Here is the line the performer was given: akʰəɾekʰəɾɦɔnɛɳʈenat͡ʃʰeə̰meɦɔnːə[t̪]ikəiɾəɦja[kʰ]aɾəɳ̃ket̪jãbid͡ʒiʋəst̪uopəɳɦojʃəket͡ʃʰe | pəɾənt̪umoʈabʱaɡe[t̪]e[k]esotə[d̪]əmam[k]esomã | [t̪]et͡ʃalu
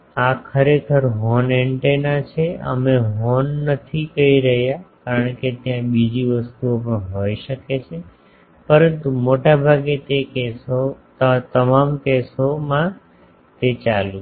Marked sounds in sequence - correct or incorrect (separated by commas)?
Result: incorrect, incorrect, correct, correct, incorrect, correct, correct